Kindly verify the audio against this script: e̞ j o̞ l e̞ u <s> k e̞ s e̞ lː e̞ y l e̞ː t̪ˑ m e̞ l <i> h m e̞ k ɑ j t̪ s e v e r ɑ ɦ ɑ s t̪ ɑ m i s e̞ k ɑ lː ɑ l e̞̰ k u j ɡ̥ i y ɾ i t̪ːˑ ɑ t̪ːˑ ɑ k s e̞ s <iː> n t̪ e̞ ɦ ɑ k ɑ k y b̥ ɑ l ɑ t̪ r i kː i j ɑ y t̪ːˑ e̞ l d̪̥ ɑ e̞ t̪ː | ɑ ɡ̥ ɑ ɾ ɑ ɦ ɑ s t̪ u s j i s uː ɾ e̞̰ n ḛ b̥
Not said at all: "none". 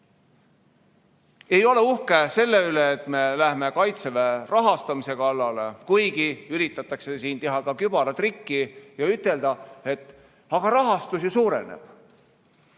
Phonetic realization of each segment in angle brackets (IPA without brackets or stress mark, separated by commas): h, æ, iː